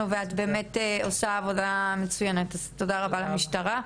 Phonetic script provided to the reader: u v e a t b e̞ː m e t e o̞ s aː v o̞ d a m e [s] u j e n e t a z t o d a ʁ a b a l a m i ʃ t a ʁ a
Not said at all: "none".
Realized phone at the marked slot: t͡s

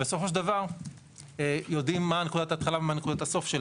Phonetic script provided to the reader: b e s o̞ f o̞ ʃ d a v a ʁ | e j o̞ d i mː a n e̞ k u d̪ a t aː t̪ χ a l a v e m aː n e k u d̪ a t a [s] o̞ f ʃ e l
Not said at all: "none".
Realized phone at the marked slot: s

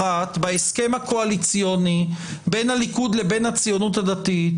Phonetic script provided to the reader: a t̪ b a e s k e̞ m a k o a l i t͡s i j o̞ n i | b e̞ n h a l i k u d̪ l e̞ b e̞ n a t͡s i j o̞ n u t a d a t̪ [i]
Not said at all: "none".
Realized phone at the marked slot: i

